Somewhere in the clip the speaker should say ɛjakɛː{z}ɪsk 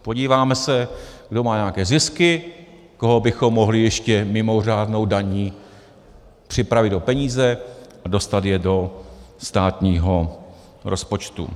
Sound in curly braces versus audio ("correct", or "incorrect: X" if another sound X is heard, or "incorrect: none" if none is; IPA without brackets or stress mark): correct